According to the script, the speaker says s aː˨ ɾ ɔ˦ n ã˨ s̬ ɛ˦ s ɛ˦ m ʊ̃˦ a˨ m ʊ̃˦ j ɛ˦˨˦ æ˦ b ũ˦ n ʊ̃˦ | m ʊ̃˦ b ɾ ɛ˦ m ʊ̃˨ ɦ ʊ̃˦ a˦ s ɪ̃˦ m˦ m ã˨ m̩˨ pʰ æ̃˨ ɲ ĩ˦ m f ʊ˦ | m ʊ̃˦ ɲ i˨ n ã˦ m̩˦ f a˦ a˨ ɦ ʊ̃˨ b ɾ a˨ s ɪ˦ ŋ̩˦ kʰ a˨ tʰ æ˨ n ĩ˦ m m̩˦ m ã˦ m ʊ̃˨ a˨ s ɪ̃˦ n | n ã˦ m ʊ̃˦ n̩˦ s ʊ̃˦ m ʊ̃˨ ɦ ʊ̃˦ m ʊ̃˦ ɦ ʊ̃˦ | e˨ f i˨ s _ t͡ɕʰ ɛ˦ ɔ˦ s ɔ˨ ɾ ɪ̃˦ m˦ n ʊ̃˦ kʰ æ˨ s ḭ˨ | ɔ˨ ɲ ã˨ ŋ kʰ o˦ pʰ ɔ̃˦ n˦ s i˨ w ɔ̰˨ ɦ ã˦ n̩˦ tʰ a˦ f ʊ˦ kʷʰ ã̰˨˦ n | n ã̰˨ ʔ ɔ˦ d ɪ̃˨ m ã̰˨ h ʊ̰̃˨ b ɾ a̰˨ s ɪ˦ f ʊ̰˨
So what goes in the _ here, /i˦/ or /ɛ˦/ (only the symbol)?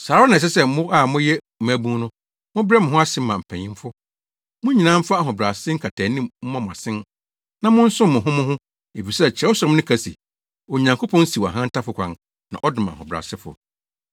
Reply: ɛ˦